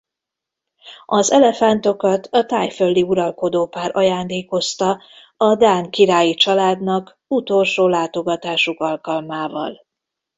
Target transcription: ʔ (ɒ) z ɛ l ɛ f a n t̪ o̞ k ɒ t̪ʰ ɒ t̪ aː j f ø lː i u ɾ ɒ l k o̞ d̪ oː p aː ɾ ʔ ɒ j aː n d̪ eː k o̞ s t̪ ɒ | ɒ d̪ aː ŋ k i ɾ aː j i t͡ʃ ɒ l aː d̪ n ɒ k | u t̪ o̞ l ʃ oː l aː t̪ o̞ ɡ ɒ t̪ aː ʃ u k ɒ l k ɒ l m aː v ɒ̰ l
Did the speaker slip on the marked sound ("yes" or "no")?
no